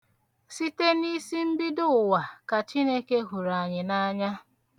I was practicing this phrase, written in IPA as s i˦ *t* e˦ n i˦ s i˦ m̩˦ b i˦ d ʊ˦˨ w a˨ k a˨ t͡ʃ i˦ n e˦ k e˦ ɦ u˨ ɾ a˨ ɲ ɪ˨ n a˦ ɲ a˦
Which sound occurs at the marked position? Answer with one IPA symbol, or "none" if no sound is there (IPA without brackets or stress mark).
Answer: t